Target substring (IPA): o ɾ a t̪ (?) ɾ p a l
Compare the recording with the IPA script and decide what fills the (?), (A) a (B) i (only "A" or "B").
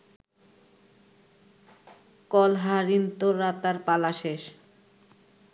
A